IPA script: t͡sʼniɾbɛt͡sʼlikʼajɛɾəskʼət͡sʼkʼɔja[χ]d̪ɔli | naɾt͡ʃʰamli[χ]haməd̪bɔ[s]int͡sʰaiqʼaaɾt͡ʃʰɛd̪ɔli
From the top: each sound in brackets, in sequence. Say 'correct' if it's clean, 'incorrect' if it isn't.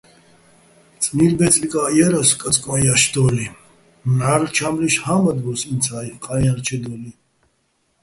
incorrect: ʃ, incorrect: ʃ, correct

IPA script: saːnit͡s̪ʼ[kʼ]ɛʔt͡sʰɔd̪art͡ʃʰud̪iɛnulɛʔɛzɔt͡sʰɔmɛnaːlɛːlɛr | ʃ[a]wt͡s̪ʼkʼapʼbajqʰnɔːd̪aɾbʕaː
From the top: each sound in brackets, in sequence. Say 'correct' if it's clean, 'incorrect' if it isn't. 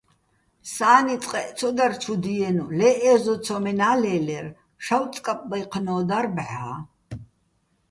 incorrect: qʼ, correct

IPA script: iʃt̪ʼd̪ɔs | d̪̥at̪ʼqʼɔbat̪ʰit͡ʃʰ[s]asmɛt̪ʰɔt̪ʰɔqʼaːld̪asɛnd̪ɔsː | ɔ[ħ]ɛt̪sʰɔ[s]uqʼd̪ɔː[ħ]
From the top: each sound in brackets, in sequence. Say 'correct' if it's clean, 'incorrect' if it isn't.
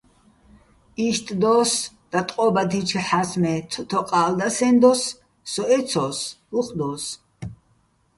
incorrect: ħ, incorrect: none, correct, incorrect: s

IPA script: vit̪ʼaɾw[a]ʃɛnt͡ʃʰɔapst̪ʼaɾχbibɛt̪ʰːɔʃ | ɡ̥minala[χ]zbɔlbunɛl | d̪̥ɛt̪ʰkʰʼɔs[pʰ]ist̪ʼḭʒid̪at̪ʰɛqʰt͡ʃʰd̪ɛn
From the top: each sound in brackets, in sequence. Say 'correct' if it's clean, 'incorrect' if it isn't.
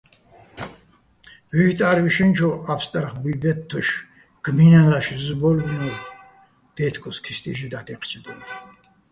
incorrect: i, incorrect: ʃ, incorrect: kʰ

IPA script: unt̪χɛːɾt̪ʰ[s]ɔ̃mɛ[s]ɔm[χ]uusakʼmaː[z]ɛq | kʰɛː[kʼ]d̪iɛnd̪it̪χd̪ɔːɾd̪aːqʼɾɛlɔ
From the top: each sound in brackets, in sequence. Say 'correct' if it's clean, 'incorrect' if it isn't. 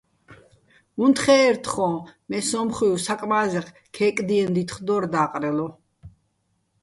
incorrect: χ, correct, correct, correct, correct

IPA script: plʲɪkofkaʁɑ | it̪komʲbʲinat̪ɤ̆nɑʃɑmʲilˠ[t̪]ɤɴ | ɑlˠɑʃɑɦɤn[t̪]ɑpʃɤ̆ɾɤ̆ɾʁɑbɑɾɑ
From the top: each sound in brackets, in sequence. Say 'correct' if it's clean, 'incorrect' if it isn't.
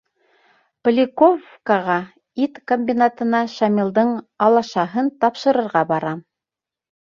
incorrect: d̪, correct

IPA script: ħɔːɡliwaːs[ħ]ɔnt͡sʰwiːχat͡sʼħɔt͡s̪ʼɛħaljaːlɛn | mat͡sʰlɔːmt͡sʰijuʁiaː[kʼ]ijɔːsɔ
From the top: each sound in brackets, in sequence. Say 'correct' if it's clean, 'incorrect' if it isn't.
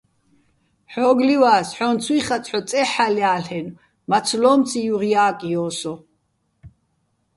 correct, correct

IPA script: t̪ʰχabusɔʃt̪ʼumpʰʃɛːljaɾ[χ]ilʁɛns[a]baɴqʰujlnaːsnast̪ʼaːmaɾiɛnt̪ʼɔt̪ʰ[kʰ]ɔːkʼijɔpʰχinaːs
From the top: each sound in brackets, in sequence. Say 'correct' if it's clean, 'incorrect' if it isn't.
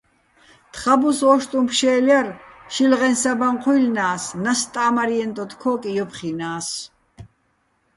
incorrect: ʃ, correct, correct

